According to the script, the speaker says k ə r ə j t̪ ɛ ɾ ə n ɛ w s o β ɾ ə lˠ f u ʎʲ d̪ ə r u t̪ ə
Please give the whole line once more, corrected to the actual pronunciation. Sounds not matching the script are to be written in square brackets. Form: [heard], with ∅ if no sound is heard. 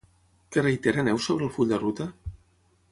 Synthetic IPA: k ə r ə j t̪ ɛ ɾ ə n ɛ w s o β ɾ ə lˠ f u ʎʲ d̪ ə r u t̪ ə